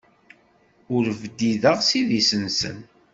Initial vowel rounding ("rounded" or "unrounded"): rounded